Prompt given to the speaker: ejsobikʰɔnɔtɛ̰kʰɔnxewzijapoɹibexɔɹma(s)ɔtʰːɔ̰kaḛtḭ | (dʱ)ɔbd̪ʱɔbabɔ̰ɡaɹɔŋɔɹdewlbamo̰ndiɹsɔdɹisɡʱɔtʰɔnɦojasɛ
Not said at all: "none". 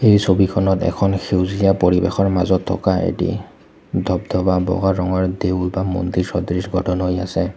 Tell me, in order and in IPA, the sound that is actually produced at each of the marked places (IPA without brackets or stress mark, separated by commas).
z, dʱ